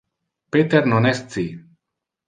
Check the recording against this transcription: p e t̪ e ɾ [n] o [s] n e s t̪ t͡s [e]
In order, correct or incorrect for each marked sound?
correct, incorrect: none, incorrect: i

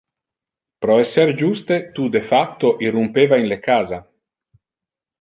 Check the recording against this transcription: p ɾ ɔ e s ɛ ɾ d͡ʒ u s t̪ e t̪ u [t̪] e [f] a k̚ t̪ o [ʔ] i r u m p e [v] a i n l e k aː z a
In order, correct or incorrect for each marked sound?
incorrect: d̪, correct, correct, correct

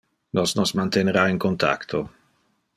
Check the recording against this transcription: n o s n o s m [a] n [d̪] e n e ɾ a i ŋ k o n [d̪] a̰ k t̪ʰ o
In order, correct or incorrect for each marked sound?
correct, incorrect: t̪, incorrect: t̪

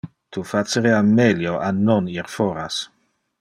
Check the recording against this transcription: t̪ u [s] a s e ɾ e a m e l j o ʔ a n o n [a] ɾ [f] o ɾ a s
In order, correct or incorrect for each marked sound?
incorrect: f, incorrect: i, correct

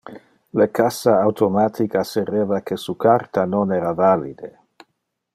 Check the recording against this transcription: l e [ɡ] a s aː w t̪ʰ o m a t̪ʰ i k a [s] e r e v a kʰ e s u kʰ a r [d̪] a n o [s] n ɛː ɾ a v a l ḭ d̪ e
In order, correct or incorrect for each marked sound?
incorrect: k, correct, incorrect: t̪, incorrect: none

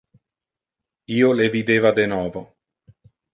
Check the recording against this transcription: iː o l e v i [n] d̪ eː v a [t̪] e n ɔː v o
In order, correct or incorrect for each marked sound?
incorrect: none, incorrect: d̪

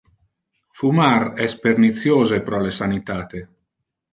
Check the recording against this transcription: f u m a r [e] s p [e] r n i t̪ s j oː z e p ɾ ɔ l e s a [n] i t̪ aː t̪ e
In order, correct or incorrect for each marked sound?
incorrect: ɛ, correct, correct

